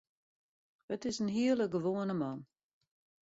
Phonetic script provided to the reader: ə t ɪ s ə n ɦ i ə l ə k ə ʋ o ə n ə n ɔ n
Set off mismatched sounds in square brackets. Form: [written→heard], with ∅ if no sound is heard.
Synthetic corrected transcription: ə t ɪ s ə n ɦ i ə l ə [k→ɡ] ə ʋ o ə n ə [n→m] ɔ n